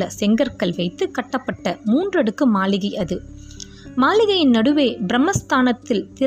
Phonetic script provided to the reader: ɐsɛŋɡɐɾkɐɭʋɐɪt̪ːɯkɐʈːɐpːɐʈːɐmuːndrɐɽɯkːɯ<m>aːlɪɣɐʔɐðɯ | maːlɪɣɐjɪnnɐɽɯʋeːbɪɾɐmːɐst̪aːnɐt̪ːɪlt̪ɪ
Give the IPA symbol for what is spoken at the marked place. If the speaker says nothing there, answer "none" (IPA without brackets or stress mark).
m